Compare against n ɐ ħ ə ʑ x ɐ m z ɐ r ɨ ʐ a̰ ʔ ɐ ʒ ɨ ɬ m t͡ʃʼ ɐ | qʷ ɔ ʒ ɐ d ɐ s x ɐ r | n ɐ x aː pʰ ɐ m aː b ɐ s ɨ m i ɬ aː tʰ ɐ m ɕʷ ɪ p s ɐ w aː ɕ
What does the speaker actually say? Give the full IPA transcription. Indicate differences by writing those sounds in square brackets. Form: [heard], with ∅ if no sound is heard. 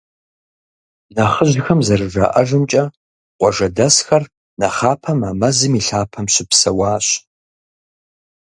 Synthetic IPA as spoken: n ɐ [χ] ə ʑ x ɐ m z ɐ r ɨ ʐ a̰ ʔ ɐ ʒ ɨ [∅] m t͡ʃʼ ɐ | qʷ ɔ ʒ ɐ d ɐ s x ɐ r | n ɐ [χ] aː pʰ ɐ m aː [m] ɐ [z] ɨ m i ɬ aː [pʰ] ɐ m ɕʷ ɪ p s ɐ w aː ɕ